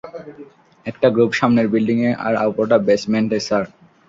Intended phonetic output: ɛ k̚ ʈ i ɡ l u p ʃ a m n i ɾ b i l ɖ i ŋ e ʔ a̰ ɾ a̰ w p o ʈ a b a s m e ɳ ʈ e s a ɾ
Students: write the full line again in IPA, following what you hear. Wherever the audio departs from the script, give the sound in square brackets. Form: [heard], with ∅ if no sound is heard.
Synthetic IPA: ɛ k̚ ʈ [a] ɡ [ɾ] u p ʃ a m n [e] ɾ b i l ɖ i ŋ e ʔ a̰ ɾ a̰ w p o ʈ a b [e] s m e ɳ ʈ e s a ɾ